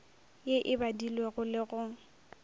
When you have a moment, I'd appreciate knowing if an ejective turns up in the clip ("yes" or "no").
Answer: no